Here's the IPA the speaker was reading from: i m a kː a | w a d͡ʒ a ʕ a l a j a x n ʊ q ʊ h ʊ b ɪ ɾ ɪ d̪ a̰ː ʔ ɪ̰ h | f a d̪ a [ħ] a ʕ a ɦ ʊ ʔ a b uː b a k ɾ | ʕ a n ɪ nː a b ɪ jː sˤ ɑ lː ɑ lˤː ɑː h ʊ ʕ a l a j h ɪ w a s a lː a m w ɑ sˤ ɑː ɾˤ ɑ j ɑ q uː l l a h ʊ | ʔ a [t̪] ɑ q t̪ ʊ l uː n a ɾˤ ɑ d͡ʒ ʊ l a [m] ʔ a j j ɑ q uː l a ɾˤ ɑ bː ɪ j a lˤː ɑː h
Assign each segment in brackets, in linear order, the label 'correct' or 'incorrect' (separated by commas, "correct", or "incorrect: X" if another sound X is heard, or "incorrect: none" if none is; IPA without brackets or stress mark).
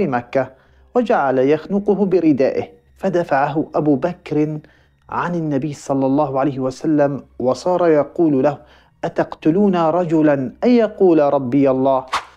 incorrect: f, correct, incorrect: n